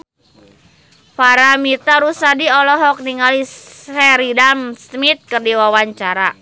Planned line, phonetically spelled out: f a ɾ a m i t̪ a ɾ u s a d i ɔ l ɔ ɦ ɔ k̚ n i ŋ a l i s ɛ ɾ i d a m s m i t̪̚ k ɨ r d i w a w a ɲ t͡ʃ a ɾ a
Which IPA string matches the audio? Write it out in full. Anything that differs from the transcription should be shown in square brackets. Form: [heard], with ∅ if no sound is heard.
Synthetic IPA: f a ɾ a m i t̪ a ɾ u s a d i ɔ l ɔ ɦ ɔ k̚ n i ŋ a l i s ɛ ɾ i d a m s m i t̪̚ k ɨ r d i w a w a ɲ t͡ʃ a ɾ a